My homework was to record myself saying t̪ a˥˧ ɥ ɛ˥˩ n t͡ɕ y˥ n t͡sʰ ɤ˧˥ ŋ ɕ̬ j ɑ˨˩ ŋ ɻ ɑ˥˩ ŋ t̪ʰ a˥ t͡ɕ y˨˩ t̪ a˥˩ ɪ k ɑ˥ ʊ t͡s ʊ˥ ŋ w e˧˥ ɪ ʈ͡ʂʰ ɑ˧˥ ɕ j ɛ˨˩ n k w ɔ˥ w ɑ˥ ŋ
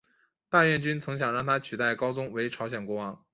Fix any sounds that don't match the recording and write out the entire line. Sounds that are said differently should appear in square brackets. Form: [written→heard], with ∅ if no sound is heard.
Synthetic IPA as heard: t̪ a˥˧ ɥ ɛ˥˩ n t͡ɕ y˥ n t͡sʰ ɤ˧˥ ŋ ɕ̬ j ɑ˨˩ ŋ ɻ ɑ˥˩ ŋ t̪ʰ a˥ [t͡ɕ→t͡ɕʰ] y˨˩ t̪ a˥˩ ɪ k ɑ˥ ʊ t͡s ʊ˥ ŋ w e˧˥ ɪ ʈ͡ʂʰ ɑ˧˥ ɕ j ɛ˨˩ n k w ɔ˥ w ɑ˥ ŋ